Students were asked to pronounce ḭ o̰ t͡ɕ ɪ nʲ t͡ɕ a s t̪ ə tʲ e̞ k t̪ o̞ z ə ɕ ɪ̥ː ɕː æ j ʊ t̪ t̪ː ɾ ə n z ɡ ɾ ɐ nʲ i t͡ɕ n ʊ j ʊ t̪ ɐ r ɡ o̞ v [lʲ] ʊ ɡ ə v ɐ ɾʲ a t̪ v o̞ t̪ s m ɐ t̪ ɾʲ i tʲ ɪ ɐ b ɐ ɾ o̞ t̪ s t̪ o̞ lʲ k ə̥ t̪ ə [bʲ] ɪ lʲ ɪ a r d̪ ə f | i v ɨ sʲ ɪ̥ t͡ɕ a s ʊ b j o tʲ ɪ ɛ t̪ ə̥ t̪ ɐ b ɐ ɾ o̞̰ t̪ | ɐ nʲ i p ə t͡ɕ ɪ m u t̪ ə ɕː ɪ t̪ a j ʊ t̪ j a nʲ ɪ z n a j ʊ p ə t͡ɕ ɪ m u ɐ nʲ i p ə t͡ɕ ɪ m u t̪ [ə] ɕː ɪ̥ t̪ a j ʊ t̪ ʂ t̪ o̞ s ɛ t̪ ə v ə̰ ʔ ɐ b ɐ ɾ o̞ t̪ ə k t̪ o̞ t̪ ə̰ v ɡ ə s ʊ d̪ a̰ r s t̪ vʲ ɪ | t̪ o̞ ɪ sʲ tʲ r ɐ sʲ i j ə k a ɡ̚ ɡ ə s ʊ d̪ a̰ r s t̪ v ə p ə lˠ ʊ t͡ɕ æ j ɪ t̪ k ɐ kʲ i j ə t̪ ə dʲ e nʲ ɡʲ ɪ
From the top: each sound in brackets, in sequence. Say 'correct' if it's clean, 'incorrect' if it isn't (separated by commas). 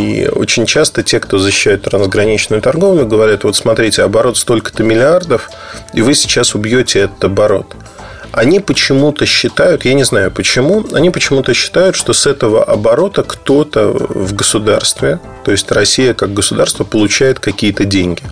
correct, incorrect, correct